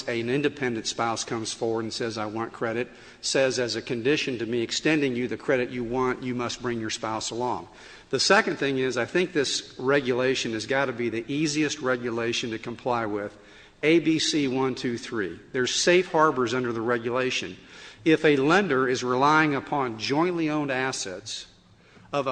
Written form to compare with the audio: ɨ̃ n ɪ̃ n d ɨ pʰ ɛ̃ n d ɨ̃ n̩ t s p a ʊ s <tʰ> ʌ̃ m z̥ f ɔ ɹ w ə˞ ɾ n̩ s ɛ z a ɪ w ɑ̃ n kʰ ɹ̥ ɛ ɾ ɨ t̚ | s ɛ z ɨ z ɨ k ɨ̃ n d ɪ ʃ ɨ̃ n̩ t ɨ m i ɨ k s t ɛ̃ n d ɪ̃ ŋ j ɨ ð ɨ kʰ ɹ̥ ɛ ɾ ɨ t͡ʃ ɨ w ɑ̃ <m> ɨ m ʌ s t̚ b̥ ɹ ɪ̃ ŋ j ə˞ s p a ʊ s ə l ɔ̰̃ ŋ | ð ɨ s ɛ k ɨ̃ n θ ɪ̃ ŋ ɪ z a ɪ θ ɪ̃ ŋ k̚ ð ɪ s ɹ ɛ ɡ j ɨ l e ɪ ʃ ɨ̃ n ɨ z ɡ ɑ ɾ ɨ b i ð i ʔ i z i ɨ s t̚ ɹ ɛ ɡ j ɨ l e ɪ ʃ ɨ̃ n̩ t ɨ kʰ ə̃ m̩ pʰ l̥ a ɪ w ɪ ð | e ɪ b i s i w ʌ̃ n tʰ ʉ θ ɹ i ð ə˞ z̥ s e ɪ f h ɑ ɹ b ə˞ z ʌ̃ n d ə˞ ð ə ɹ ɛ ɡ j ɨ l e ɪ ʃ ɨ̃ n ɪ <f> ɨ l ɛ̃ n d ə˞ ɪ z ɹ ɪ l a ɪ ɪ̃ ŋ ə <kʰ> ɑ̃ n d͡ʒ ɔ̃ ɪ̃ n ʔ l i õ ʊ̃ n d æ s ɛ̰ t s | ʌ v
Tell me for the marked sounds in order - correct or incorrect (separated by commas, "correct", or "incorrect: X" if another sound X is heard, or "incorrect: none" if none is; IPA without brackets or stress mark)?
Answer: incorrect: kʰ, incorrect: n, correct, incorrect: pʰ